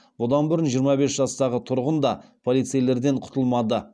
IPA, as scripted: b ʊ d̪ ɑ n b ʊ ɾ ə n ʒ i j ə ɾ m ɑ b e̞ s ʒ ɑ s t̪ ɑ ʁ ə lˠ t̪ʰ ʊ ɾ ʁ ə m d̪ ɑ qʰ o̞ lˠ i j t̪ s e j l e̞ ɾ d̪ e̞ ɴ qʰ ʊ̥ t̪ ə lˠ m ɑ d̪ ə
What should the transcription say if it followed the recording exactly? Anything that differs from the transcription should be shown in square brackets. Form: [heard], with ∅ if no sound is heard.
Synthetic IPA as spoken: b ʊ d̪ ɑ n b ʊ ɾ ə n ʒ i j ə ɾ m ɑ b e̞ s ʒ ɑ s t̪ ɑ ʁ ə [∅] t̪ʰ ʊ ɾ ʁ ə [n] d̪ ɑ [pʰ] o̞ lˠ i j t̪ s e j l e̞ ɾ d̪ e̞ ɴ qʰ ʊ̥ t̪ ə lˠ m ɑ d̪ ə

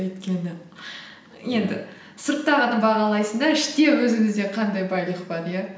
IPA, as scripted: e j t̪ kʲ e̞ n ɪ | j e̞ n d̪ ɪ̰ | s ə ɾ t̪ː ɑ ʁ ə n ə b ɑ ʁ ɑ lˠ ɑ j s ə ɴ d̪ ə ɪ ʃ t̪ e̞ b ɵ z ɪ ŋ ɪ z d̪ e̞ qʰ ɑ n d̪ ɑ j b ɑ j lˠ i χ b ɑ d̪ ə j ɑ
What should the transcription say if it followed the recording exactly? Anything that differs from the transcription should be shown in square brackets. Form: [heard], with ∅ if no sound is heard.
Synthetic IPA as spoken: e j t̪ kʲ e̞ n ɪ | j e̞ n d̪ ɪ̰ | s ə ɾ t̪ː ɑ ʁ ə n ə b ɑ ʁ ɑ lˠ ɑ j s ə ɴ d̪ [ɑ] ɪ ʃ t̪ e̞ [w] ɵ z ɪ ŋ ɪ z d̪ e̞ qʰ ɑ n d̪ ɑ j b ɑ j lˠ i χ b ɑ d̪ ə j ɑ

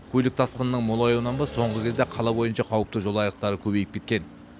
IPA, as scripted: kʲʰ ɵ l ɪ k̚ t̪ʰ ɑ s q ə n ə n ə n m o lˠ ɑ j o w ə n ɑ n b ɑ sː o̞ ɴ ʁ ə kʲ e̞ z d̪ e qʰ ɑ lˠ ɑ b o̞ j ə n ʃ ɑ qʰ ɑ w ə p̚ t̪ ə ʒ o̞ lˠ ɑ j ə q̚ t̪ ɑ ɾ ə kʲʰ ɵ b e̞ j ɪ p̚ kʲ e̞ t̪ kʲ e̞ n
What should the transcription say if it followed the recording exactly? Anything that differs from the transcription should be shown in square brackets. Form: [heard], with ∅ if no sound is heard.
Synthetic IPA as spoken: kʲʰ ɵ l ɪ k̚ t̪ʰ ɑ s q ə n ə n ə [ɴ] m o lˠ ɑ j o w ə n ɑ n b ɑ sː o̞ ɴ ʁ ə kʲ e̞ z d̪ e qʰ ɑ lˠ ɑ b o̞ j ə n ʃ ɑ qʰ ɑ w ə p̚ t̪ ə ʒ o̞ lˠ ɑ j ə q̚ t̪ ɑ ɾ ə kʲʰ ɵ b e̞ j ɪ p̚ kʲ e̞ t̪ kʲ e̞ n

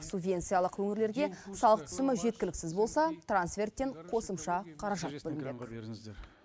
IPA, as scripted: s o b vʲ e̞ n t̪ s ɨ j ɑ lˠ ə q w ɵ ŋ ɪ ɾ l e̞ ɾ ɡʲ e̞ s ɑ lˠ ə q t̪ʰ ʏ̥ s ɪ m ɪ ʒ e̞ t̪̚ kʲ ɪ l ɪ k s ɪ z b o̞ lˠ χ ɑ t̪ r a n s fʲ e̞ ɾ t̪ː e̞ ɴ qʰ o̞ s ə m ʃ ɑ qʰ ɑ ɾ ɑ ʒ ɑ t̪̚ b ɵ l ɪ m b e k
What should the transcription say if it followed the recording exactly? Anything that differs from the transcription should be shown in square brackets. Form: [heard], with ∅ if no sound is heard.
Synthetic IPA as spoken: s [u] b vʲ e̞ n t̪ s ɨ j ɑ lˠ ə q w ɵ ŋ ɪ ɾ l e̞ ɾ ɡʲ e̞ s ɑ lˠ ə q t̪ʰ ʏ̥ s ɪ m ɪ ʒ e̞ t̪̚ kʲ ɪ l ɪ k s ɪ z b o̞ lˠ [s] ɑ t̪ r a n s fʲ e̞ [r] t̪ː e̞ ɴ qʰ o̞ s ə m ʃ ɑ qʰ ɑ ɾ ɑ ʒ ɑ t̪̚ b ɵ l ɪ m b e k

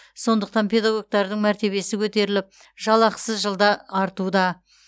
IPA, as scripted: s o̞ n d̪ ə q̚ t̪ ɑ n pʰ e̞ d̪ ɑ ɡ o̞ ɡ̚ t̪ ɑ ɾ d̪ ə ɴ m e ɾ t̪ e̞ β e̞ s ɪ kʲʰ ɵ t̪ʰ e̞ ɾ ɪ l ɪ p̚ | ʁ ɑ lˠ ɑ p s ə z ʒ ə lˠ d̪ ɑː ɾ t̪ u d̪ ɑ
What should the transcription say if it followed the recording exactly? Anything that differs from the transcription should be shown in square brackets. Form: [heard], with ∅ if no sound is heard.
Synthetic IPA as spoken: s o̞ n d̪ ə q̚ t̪ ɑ n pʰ e̞ d̪ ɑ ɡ o̞ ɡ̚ t̪ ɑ ɾ d̪ ə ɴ m [æ] ɾ t̪ e̞ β e̞ s ɪ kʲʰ ɵ [t̪] e̞ ɾ ɪ l ɪ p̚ | [ʒ] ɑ lˠ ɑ [q] s ə z ʒ ə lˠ d̪ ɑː ɾ t̪ u d̪ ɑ

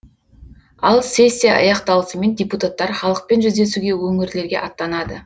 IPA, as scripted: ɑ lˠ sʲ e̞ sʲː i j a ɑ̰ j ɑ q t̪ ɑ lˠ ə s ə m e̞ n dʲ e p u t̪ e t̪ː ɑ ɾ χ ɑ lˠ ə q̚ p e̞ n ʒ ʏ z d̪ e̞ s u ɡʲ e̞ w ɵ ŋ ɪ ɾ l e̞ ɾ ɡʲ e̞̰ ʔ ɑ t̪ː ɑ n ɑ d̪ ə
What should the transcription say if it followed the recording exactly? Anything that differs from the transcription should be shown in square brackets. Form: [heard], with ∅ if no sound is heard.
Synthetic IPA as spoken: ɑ lˠ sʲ e̞ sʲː i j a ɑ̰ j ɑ q t̪ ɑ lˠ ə s ə m e̞ n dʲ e p u t̪ [a] t̪ː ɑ ɾ χ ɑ lˠ ə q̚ p e̞ n ʒ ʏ z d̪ e̞ s u ɡʲ e̞ w ɵ ŋ ɪ ɾ l e̞ ɾ ɡʲ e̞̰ ʔ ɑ t̪ː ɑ n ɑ d̪ ə

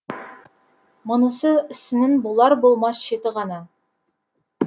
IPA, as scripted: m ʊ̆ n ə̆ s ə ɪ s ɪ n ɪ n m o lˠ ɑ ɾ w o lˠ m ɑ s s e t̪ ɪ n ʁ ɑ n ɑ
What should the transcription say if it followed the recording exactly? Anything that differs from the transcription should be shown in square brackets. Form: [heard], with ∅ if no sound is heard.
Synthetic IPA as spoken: m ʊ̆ n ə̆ s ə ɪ s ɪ n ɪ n [b] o lˠ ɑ ɾ [b] o lˠ m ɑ s [ʃ] e t̪ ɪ [∅] ʁ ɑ n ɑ

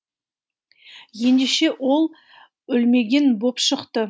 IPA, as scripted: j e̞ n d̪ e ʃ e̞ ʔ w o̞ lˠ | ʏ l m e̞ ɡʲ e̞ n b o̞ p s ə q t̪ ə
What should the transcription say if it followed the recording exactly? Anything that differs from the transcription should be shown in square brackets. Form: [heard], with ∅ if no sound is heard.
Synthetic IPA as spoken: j e̞ n d̪ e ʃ e̞ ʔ w o̞ lˠ | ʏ l m e̞ ɡʲ e̞ n b o̞ p [ʃ] ə q t̪ ə

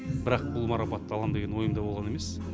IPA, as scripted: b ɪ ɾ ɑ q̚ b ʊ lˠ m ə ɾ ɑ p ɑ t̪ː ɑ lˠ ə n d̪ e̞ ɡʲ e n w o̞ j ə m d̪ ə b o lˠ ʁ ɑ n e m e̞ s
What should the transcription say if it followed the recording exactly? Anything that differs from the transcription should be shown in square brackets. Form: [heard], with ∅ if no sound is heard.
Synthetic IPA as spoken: b ɪ ɾ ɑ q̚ b ʊ lˠ m [ɑ] ɾ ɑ p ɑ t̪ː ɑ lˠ [ɑ] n d̪ e̞ ɡʲ e n w o̞ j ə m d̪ [ɑ] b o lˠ ʁ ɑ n e m e̞ s

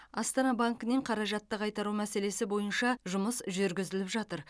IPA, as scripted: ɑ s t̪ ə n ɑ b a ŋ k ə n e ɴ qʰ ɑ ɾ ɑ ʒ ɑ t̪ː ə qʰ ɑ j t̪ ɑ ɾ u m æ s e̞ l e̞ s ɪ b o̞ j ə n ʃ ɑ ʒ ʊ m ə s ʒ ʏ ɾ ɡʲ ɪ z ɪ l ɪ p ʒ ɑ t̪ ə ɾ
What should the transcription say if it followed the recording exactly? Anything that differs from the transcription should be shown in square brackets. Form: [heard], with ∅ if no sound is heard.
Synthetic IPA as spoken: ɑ s t̪ [ɑ] n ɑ b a ŋ k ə n e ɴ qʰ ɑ ɾ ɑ ʒ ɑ t̪ː ə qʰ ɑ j t̪ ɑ ɾ u m æ s e̞ l e̞ s ɪ b o̞ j ə n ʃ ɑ ʒ ʊ m ə s ʒ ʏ ɾ ɡʲ ɪ z ɪ l ɪ p ʒ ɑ t̪ ə ɾ

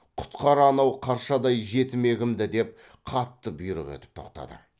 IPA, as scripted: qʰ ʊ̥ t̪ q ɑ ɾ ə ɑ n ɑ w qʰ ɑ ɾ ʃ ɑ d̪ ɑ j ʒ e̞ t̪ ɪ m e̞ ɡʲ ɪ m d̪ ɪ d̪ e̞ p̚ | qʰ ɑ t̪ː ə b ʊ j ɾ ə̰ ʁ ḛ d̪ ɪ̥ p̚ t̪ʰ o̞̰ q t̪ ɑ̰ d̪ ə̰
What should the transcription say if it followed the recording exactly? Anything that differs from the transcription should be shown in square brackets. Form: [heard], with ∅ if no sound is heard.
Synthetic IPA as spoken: qʰ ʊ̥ t̪ q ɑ ɾ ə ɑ n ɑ w qʰ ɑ ɾ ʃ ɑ d̪ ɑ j ʒ e̞ t̪ ɪ m e̞ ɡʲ ɪ m d̪ ɪ d̪ e̞ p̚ | qʰ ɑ t̪ː ə b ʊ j ɾ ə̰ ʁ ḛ [t̪] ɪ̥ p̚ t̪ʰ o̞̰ q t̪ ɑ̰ d̪ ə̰

